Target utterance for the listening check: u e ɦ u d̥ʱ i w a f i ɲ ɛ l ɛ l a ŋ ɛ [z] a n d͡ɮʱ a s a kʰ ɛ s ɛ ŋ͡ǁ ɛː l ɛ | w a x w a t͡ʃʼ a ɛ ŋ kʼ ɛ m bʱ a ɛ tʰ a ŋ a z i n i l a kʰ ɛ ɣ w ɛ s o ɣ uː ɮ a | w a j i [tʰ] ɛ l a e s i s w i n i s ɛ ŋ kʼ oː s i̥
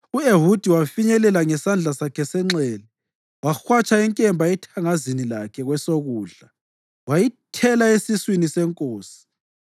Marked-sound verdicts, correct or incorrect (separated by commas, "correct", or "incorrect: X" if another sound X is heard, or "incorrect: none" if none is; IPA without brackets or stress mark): incorrect: s, correct